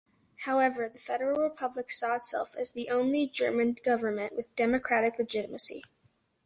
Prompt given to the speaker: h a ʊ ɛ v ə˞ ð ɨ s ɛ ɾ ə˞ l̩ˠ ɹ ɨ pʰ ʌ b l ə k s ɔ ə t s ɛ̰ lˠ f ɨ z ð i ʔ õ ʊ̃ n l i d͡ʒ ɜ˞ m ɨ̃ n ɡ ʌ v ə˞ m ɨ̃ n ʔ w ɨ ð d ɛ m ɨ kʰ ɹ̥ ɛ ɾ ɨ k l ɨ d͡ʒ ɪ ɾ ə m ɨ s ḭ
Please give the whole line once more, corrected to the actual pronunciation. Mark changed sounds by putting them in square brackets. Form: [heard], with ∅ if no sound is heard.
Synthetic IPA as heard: h a ʊ ɛ v ə˞ ð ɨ [f] ɛ ɾ ə˞ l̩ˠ ɹ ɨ pʰ ʌ b l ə k s ɔ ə t s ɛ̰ lˠ f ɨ z ð i ʔ õ ʊ̃ n l i d͡ʒ ɜ˞ m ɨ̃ n ɡ ʌ v ə˞ m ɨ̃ n ʔ w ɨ ð d ɛ m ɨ kʰ ɹ̥ [æ] ɾ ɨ k l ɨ d͡ʒ ɪ ɾ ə m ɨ s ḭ